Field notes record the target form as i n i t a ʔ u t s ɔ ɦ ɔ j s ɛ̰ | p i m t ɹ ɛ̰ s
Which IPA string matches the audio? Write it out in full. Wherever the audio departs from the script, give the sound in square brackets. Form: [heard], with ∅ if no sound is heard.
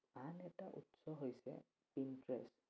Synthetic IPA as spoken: [a] n [ɛ] t a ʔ u t s ɔ ɦ [o] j s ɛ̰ | p i [n] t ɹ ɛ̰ s